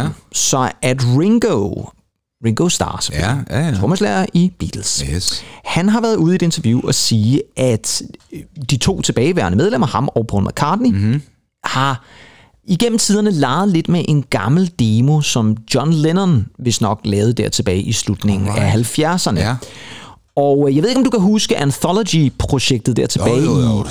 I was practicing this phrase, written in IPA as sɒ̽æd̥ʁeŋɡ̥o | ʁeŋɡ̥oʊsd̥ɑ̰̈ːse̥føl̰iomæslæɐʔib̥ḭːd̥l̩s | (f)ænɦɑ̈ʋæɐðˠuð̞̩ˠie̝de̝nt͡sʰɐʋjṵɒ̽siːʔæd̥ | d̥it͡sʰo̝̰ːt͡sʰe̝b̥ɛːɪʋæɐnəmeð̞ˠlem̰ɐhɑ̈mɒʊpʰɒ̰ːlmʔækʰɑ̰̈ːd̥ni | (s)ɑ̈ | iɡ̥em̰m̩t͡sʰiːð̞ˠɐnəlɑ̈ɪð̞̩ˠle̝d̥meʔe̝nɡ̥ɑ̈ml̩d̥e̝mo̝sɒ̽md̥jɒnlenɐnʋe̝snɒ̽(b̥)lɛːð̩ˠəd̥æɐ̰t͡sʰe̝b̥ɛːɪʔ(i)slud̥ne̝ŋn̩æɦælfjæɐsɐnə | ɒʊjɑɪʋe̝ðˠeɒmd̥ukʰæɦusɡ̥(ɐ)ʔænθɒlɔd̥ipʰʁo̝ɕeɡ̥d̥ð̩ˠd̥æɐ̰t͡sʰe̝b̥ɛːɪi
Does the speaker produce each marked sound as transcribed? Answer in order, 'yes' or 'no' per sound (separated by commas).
no, no, no, yes, no